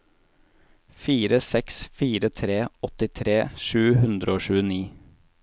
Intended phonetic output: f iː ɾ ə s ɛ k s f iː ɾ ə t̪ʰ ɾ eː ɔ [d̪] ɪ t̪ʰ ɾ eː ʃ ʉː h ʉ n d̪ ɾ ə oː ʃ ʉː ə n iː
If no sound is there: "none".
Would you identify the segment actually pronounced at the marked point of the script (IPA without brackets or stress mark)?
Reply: t̪